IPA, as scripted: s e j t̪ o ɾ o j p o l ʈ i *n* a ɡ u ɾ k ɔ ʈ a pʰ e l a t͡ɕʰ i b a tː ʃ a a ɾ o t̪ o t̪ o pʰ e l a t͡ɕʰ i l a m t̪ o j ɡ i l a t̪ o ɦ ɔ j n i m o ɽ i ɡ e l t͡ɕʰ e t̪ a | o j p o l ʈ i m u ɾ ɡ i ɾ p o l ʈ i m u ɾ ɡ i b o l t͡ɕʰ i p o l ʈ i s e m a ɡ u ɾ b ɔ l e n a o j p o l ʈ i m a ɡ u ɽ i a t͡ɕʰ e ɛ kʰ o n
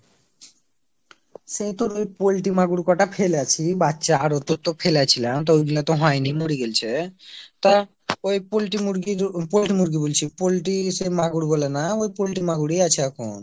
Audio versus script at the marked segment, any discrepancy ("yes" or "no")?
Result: yes